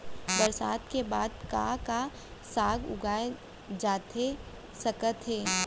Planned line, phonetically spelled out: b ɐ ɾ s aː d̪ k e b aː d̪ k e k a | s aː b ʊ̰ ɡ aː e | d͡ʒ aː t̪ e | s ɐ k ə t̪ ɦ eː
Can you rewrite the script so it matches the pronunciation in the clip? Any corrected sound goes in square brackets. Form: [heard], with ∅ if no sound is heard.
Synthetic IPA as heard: b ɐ ɾ s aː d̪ k e b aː d̪ k [a] k a | s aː [ɡ] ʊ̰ ɡ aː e | d͡ʒ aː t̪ e | s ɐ k ə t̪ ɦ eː

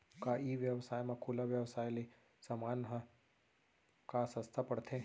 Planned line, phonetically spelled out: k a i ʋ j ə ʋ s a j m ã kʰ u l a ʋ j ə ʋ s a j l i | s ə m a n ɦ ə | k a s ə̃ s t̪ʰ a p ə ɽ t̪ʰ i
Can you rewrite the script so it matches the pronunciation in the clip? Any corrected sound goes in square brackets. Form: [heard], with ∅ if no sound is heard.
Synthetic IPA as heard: k a i ʋ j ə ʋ s a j m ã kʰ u l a ʋ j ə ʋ s a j l i | s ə m a n ɦ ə | k a s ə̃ s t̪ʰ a p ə ɽ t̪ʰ [e]

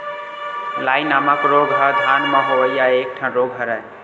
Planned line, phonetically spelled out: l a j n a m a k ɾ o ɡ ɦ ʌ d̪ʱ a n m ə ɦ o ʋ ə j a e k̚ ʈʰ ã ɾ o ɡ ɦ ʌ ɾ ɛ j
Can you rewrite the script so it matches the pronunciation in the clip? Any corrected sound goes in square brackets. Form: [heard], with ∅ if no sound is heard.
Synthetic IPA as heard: l a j n a m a k ɾ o ɡ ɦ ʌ d̪ʱ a n m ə ɦ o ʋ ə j a e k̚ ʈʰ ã ɾ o ɡ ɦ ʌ ɾ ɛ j

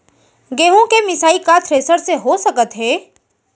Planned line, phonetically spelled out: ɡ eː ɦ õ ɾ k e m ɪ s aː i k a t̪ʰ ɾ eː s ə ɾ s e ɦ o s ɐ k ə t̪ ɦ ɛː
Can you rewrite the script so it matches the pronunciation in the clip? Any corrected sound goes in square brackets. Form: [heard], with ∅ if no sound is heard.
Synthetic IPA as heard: ɡ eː ɦ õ [∅] k e m ɪ s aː i k a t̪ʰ ɾ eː s ə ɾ s e ɦ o s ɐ k ə t̪ ɦ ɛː

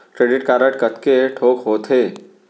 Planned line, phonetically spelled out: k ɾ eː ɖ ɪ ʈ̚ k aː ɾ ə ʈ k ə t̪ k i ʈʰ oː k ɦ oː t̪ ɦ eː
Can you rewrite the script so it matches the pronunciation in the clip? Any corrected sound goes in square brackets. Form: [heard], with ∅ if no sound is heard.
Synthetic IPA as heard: k ɾ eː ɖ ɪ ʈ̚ k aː ɾ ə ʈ k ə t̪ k [e] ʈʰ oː k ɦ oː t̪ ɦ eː

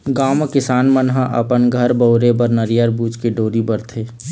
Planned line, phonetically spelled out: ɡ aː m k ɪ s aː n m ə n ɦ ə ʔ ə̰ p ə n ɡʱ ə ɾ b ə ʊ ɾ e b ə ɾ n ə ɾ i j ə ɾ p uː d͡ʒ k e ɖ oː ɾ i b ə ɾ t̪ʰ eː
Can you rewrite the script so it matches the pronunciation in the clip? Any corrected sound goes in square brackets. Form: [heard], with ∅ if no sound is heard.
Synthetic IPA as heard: ɡ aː m k ɪ s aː n m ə n ɦ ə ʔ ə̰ p ə n ɡʱ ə ɾ b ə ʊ ɾ e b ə ɾ n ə ɾ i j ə ɾ [b] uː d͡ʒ k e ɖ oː ɾ i b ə ɾ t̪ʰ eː

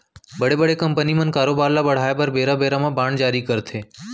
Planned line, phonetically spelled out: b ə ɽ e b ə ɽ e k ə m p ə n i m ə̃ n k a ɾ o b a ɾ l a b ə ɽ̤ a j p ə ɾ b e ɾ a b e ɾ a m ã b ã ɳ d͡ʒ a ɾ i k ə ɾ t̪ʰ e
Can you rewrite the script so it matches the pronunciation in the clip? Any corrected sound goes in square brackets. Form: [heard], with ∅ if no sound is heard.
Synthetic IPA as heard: b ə ɽ e b ə ɽ e k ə m p ə n i m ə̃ n k a ɾ o b a ɾ l a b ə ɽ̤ a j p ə ɾ b e ɾ a b e ɾ a m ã b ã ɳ d͡ʒ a ɾ i k ə ɾ t̪ʰ e

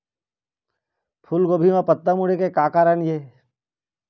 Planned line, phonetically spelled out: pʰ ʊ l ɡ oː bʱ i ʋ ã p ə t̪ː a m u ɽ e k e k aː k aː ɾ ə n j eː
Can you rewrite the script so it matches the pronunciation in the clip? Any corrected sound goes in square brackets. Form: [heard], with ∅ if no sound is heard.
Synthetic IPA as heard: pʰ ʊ l ɡ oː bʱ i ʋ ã p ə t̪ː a m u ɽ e k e k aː k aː ɾ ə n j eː

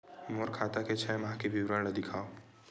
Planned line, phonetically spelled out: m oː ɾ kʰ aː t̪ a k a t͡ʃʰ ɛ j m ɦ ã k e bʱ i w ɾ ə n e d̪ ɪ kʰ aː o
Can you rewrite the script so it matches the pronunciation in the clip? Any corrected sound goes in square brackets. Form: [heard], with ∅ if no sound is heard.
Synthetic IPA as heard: m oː ɾ kʰ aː t̪ a k [e] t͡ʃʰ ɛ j m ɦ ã k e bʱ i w ɾ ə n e d̪ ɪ kʰ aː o

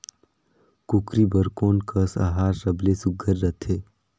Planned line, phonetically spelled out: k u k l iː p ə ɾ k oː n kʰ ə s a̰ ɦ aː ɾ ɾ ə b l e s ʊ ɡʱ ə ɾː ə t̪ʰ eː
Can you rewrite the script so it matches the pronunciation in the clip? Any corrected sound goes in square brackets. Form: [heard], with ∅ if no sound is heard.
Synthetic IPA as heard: k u k [ɾ] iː [b] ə ɾ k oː n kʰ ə s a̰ ɦ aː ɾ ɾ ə b l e s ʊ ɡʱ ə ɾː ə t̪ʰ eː

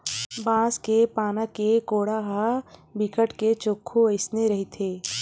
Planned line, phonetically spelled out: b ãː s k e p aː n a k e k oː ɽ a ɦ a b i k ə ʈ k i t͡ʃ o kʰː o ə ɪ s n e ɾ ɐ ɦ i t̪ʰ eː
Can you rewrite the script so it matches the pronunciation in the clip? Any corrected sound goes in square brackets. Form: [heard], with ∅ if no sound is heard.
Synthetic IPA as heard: b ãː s k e p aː n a k e k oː ɽ a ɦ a b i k ə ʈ k [e] t͡ʃ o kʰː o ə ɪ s n e ɾ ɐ ɦ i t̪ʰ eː

